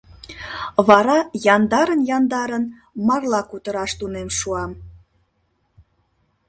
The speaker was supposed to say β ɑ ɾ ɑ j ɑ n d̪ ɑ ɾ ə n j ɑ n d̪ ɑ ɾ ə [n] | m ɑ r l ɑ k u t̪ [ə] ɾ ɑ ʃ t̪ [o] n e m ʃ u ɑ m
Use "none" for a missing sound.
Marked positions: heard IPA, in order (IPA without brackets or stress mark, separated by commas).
n, ə, u